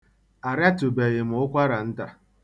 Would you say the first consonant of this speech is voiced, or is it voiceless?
voiced